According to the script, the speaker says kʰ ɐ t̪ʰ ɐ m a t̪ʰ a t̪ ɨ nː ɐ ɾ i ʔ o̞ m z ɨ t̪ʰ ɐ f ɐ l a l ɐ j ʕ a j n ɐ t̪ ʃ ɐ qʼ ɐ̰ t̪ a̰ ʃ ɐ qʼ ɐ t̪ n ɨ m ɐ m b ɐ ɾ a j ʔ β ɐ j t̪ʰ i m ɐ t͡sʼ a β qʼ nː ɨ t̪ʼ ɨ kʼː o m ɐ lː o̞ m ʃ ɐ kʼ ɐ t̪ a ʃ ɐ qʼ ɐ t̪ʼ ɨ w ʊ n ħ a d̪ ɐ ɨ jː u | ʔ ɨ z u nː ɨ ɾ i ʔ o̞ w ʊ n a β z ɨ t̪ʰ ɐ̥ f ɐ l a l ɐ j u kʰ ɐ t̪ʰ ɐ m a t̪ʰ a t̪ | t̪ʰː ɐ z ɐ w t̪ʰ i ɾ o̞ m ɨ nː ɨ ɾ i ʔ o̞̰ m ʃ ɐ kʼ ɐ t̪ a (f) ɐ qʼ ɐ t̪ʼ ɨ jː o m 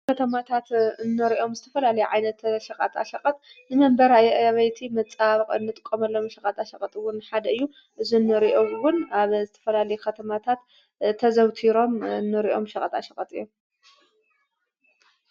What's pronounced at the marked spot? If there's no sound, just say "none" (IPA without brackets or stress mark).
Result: ʃ